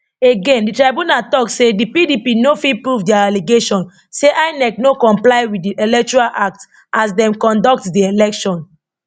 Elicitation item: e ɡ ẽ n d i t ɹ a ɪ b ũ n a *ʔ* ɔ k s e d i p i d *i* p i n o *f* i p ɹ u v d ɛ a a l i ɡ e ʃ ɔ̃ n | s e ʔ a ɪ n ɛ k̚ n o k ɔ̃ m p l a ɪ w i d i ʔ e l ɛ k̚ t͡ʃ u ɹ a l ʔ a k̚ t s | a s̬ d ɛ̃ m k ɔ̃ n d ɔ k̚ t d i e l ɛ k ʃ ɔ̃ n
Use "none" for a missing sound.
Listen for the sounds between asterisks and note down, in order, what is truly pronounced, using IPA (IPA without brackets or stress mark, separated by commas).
t, i, f